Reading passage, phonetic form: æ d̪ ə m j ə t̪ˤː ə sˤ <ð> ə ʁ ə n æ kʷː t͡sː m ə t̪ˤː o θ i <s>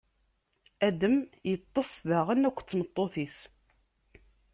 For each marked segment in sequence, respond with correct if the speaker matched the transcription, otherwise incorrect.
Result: correct, correct

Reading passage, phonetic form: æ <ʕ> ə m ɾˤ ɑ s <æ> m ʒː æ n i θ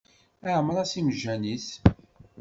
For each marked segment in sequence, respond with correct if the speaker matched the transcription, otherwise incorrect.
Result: correct, incorrect: i

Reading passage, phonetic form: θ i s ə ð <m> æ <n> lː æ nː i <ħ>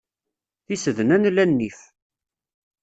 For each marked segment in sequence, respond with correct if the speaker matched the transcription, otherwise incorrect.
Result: incorrect: n, correct, incorrect: f

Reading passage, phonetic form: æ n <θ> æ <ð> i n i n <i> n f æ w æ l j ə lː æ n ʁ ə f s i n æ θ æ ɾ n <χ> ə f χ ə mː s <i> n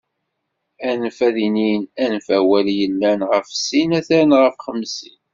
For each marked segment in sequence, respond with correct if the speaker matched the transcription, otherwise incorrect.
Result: incorrect: f, correct, incorrect: æ, incorrect: ʁ, correct

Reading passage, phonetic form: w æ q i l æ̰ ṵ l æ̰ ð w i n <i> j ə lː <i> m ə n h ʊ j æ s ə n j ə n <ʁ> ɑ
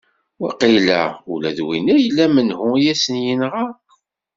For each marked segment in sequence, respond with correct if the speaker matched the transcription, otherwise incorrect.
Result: incorrect: æ, incorrect: æ, correct

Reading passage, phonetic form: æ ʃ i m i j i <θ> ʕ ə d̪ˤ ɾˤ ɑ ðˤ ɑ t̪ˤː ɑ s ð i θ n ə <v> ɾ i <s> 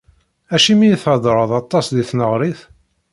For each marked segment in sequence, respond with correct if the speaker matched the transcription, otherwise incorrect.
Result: correct, incorrect: ʁ, incorrect: θ

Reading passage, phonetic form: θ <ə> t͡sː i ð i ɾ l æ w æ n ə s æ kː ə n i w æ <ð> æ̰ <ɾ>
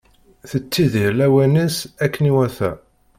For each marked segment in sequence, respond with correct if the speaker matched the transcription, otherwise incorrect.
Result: correct, incorrect: θ, incorrect: none

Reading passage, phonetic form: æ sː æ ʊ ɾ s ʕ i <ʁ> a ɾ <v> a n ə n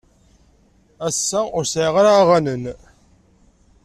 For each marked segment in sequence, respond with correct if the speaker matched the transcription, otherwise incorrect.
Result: correct, incorrect: ʁ

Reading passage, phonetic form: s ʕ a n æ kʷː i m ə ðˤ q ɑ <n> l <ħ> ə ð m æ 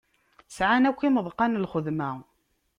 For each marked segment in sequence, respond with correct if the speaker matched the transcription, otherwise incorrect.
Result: correct, incorrect: χ

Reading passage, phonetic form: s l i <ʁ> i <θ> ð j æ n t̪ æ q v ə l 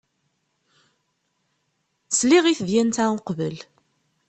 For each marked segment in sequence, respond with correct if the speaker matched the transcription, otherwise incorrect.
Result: correct, correct

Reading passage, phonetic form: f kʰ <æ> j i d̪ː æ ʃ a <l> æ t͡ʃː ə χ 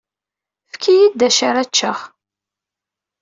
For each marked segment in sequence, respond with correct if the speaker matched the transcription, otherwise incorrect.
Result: incorrect: i, incorrect: ɾ

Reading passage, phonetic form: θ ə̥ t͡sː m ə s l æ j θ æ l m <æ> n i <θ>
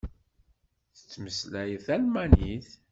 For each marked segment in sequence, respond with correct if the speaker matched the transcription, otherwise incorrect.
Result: correct, correct

